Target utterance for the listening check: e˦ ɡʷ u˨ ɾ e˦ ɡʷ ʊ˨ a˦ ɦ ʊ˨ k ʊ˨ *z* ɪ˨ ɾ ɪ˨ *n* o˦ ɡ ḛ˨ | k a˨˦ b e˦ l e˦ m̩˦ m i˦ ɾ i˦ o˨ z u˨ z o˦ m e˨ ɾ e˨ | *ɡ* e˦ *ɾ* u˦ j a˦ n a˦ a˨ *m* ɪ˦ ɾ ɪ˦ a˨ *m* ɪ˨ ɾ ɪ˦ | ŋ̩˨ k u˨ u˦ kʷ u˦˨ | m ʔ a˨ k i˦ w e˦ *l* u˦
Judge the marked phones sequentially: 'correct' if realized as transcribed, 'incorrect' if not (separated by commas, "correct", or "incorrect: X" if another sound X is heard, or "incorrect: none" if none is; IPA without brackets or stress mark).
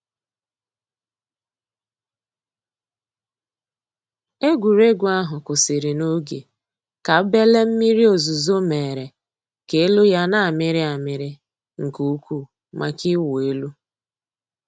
incorrect: s, correct, incorrect: k, incorrect: l, correct, correct, correct